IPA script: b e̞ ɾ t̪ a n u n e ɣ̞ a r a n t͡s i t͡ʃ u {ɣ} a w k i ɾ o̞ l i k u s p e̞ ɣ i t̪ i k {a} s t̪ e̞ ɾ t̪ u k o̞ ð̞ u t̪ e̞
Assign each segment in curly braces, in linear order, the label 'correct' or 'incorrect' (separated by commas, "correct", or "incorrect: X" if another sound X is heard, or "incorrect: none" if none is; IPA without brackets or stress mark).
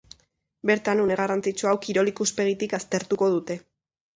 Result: incorrect: none, correct